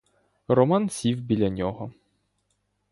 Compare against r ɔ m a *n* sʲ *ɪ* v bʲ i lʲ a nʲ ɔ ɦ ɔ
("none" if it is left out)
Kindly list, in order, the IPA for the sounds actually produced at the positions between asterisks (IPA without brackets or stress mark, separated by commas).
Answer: n, i